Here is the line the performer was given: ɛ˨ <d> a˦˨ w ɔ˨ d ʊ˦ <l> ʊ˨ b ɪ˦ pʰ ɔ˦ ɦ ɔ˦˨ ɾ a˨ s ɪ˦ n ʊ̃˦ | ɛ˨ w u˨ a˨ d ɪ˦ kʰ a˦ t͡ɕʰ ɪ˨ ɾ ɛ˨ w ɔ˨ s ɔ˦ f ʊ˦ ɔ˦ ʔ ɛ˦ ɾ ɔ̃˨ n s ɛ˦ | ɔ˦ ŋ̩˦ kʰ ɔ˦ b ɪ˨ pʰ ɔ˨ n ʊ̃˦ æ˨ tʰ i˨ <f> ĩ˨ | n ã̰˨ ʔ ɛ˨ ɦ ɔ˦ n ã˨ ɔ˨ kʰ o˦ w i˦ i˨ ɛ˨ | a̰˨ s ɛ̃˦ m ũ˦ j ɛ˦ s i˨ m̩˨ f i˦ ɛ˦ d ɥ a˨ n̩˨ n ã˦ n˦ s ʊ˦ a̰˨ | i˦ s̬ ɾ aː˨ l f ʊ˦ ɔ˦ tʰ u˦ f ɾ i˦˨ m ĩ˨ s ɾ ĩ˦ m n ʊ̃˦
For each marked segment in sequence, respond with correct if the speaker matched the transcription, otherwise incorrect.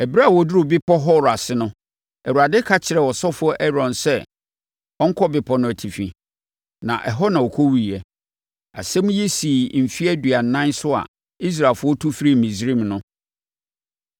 incorrect: b, incorrect: ɾ, correct

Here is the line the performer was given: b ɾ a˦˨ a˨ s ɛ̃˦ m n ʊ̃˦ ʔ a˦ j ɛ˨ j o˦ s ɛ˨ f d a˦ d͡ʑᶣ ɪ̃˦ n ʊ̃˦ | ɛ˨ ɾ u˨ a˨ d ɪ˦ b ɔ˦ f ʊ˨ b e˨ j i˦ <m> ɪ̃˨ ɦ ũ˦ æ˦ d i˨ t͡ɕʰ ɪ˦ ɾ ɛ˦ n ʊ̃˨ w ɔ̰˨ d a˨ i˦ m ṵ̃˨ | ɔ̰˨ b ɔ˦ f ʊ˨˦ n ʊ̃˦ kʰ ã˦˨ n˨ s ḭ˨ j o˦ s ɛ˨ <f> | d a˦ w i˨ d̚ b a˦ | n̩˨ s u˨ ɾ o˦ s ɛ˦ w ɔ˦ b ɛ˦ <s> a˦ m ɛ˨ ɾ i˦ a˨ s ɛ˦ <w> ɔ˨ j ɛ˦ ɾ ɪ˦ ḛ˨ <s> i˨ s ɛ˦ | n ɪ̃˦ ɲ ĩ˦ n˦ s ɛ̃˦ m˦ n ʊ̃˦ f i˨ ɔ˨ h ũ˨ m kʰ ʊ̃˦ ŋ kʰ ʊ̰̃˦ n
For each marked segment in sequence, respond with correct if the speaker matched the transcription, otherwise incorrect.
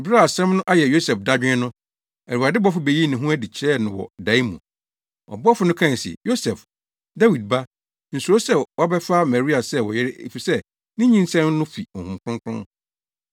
incorrect: n, correct, incorrect: f, correct, incorrect: f

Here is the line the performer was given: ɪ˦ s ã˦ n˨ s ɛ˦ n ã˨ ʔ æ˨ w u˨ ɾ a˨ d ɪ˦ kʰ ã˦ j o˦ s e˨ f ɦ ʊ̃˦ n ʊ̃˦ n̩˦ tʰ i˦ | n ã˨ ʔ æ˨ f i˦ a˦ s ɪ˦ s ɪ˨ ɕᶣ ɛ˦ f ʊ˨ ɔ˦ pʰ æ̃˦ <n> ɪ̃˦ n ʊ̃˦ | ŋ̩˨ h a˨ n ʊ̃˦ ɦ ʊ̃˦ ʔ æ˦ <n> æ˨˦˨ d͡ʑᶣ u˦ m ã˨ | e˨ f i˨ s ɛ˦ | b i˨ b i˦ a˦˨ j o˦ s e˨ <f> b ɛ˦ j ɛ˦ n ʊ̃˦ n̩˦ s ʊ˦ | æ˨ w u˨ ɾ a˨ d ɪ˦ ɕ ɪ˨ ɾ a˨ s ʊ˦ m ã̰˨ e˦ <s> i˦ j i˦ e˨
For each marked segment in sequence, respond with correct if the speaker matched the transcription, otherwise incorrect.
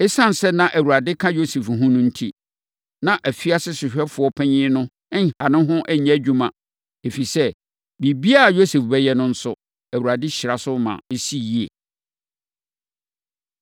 incorrect: ɲ, incorrect: ɲ, correct, correct

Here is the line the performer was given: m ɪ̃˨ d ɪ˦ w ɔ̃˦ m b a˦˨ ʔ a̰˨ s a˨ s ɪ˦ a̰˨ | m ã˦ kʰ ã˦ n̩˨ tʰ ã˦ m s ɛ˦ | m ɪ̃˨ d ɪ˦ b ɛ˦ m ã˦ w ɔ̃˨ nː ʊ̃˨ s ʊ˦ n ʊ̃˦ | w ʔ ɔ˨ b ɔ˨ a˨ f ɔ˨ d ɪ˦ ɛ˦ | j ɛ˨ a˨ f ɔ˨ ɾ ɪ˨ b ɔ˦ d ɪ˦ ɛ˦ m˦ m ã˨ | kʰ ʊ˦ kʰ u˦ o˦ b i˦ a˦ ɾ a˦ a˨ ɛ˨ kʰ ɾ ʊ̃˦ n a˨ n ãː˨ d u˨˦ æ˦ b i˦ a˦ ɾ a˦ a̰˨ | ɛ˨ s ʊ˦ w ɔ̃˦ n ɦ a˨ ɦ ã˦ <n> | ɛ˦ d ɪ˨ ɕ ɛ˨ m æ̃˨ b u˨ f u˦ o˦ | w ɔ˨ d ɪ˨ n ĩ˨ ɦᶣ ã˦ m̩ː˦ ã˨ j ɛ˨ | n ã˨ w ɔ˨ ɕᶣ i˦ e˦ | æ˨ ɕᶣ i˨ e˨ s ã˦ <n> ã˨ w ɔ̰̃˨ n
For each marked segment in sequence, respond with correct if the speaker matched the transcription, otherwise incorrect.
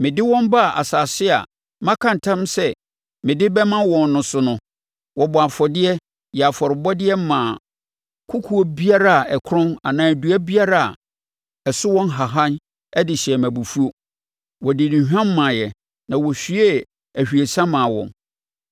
correct, incorrect: m

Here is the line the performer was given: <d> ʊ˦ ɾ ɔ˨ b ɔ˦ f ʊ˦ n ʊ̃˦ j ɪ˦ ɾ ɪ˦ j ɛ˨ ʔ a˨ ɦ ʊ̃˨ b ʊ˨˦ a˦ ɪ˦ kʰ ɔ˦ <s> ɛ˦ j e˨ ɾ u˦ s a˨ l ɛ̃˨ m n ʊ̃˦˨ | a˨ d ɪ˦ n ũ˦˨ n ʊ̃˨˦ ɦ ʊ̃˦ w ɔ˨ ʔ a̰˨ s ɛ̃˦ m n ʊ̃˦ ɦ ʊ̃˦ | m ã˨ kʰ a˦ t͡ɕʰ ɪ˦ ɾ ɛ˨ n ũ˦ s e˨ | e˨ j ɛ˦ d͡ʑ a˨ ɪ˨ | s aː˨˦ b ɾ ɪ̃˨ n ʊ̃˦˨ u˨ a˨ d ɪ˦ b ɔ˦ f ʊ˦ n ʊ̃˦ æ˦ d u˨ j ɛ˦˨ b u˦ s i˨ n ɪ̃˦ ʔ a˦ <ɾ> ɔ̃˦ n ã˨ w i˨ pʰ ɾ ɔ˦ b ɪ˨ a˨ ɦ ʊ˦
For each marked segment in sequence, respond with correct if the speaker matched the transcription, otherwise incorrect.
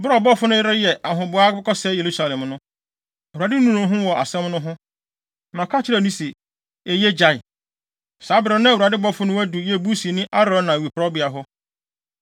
incorrect: b, correct, correct

